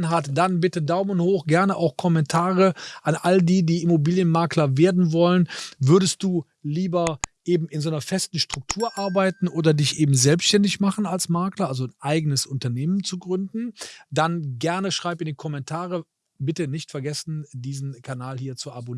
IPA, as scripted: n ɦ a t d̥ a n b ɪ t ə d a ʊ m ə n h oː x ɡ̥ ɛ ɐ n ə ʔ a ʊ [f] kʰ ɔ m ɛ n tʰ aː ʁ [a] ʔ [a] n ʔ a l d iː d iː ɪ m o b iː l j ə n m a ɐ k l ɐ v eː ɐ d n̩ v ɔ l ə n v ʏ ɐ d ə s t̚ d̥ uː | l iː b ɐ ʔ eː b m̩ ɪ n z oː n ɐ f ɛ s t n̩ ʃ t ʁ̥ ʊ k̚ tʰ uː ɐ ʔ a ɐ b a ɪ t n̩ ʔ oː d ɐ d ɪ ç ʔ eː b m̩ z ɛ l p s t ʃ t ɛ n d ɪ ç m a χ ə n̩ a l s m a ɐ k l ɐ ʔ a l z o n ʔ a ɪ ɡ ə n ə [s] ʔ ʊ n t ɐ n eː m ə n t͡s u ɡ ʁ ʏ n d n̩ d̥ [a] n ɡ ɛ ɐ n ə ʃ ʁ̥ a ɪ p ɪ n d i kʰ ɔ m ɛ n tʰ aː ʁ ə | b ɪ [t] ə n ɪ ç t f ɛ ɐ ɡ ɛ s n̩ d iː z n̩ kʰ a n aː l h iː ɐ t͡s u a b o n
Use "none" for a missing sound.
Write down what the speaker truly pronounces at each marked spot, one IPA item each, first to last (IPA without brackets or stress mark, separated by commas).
x, ə, a, s, a, t